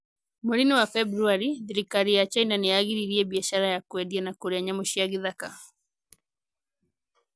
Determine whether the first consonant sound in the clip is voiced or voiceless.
voiced